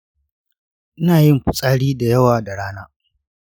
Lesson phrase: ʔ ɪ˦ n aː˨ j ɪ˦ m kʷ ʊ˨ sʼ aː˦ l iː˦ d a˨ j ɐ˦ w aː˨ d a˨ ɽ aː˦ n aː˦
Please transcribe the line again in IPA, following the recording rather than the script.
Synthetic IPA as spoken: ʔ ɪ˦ n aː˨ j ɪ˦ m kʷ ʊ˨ sʼ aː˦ ɽ iː˦ d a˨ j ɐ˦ w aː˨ d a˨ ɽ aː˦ n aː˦

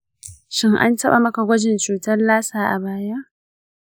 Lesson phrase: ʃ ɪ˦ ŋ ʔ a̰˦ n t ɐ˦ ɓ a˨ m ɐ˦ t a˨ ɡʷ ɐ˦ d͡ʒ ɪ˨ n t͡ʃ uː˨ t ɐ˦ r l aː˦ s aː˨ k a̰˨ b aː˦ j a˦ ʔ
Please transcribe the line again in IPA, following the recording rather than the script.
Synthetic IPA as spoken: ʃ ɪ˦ ŋ ʔ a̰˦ n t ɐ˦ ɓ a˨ m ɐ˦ k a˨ ɡʷ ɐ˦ d͡ʒ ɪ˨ n t͡ʃ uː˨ t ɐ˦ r l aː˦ s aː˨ ʔ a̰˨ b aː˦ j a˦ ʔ

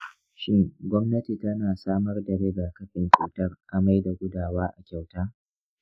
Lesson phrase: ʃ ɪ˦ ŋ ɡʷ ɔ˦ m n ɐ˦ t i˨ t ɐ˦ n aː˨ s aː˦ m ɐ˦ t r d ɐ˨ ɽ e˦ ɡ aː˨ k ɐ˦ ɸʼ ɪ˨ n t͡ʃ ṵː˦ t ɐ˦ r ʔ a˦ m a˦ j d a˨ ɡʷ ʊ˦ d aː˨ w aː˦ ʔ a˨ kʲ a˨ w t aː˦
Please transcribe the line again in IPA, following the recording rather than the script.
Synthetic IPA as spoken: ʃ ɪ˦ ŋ ɡʷ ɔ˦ m n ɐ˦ t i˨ t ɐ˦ n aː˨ s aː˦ m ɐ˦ r d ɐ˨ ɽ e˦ ɡ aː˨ k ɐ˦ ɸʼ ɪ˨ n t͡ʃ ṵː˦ t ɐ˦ r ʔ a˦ m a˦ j d a˨ ɡʷ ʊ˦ d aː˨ w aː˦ ʔ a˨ kʲ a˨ w t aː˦

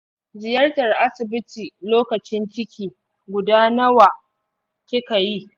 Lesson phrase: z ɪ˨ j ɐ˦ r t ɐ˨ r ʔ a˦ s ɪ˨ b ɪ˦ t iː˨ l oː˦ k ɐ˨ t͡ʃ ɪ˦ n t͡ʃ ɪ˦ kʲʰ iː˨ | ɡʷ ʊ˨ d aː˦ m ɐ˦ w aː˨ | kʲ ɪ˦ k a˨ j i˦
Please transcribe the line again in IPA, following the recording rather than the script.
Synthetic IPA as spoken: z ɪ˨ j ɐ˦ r t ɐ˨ r ʔ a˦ s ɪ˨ b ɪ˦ t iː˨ l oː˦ k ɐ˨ t͡ʃ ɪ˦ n t͡ʃ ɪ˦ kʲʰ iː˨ | ɡʷ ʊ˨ d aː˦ n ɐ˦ w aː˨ | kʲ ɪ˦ k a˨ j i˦

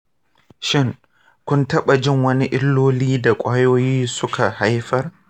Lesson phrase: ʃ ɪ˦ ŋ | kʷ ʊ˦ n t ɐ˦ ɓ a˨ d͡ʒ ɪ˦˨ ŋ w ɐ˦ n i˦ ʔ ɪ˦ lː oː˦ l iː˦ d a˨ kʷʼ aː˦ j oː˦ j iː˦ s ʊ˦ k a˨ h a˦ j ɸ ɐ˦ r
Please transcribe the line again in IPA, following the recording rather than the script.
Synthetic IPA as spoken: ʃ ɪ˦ ŋ | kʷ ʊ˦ n t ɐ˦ ɓ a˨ d͡ʒ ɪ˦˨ ŋ w ɐ˦ n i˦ ʔ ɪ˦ lː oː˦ l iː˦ d a˨ kʷʼ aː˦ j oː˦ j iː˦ s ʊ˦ k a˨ h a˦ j ɸ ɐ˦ r

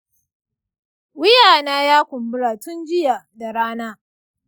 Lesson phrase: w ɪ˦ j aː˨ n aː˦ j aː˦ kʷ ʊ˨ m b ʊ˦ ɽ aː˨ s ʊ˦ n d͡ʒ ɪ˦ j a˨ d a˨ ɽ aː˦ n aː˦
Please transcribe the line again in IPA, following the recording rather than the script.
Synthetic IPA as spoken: w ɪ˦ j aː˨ n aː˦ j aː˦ kʷ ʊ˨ m b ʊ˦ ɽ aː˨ t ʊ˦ n d͡ʒ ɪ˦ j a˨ d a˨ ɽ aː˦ n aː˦

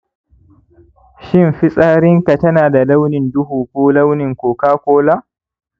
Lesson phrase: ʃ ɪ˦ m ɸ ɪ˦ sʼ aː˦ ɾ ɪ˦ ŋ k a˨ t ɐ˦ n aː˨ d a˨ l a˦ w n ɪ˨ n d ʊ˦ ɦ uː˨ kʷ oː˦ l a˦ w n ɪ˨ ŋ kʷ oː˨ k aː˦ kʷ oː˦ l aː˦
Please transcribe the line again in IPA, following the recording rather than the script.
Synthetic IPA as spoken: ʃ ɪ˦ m ɸ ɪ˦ sʼ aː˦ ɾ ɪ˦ ŋ k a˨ t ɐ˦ n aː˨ d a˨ l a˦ w n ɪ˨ n d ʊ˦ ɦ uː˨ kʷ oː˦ l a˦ w n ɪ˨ ŋ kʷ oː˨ k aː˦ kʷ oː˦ l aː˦

